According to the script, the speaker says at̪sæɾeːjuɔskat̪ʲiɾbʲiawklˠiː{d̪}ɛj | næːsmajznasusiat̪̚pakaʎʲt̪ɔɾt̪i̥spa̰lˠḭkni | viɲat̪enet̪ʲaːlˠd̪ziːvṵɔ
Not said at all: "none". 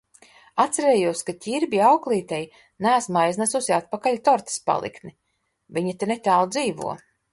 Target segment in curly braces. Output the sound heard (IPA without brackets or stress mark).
t̪